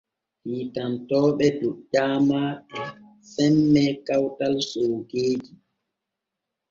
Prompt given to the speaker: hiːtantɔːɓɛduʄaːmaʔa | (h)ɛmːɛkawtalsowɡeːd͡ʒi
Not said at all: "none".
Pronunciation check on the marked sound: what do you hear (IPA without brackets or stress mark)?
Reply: s